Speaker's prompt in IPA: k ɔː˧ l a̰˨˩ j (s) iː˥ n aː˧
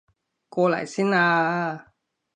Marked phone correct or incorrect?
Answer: correct